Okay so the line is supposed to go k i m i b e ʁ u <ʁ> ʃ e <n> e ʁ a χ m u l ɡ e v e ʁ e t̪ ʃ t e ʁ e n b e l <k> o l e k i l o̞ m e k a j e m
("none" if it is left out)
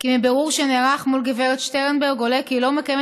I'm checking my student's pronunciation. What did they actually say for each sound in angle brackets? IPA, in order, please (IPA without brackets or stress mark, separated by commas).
ʁ, n, ɡ